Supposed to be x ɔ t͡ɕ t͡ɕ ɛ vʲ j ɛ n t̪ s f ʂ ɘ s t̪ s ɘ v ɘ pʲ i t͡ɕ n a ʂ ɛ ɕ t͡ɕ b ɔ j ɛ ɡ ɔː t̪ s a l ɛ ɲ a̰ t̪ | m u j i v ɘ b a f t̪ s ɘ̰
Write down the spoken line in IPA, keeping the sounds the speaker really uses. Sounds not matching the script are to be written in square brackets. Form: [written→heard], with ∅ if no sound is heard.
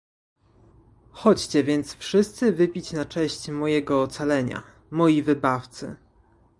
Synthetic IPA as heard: x ɔ t͡ɕ t͡ɕ ɛ vʲ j ɛ n t̪ s f ʂ ɘ s t̪ s ɘ v ɘ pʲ i t͡ɕ n a [ʂ→t͡ʂ] ɛ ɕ t͡ɕ [b→m] ɔ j ɛ ɡ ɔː t̪ s a l ɛ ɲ a̰ [t̪→∅] | m [u→ɔ] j i v ɘ b a f t̪ s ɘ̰

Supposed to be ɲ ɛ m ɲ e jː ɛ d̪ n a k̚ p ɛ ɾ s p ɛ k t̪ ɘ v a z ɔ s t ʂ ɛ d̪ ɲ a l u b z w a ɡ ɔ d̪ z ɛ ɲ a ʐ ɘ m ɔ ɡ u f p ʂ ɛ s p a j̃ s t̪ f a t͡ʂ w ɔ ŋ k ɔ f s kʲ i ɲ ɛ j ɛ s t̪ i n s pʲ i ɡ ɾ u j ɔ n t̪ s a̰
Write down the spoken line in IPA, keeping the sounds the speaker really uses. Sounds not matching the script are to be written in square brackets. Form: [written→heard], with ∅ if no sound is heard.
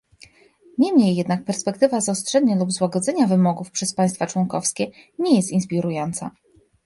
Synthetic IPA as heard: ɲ ɛ m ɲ e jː ɛ d̪ n a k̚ p ɛ ɾ s p ɛ k t̪ ɘ v a z ɔ s t ʂ ɛ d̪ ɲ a l u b z w a ɡ ɔ d̪ z ɛ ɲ a [ʐ→v] ɘ m ɔ ɡ u f p ʂ ɛ s p a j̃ s t̪ f a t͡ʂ w ɔ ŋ k ɔ f s kʲ [i→ɛ] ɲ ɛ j ɛ s t̪ i n s pʲ i [ɡ→∅] ɾ u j ɔ n t̪ s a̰

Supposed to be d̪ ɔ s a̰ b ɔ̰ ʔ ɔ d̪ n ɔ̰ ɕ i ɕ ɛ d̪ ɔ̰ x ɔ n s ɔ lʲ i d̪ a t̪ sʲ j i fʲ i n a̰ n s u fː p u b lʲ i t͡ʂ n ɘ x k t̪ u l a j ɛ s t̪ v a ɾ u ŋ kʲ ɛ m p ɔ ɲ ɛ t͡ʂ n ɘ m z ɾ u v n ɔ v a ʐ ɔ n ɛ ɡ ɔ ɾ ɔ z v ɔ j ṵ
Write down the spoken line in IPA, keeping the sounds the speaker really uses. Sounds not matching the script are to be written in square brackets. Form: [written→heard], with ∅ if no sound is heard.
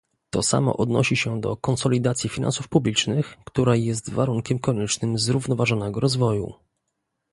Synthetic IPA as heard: [d̪→t̪] ɔ s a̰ [b→m] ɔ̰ ʔ ɔ d̪ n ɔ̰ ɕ i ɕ ɛ d̪ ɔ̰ [x→k] ɔ n s ɔ lʲ i d̪ a t̪ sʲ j i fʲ i n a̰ n s u [fː→f] p u b lʲ i t͡ʂ n ɘ x k t̪ u [l→ɾ] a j ɛ s t̪ v a ɾ u ŋ kʲ ɛ m [p→k] ɔ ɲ ɛ t͡ʂ n ɘ m z ɾ u v n ɔ v a ʐ ɔ n ɛ ɡ ɔ ɾ ɔ z v ɔ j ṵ

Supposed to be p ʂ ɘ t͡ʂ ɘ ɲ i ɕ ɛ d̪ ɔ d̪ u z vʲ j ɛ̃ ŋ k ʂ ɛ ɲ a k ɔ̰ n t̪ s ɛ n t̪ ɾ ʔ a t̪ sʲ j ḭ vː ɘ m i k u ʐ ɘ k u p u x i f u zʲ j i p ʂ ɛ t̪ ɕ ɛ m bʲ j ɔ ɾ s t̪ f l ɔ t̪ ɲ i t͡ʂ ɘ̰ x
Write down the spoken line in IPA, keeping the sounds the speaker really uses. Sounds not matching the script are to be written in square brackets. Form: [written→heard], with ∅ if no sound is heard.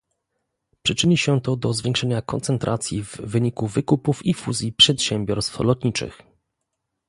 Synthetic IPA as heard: p ʂ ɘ t͡ʂ ɘ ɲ i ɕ ɛ [d̪→t̪] ɔ d̪ [u→ɔ] z vʲ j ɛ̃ ŋ k ʂ ɛ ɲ a k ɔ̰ n t̪ s ɛ n t̪ ɾ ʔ a t̪ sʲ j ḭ vː ɘ [m→ɲ] i k u [ʐ→v] ɘ k u p u [x→f] i f u zʲ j i p ʂ ɛ t̪ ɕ ɛ m bʲ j ɔ ɾ s t̪ f l ɔ t̪ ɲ i t͡ʂ ɘ̰ x

